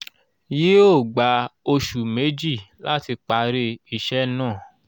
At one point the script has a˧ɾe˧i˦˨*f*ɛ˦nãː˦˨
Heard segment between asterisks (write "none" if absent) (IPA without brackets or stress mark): ʃ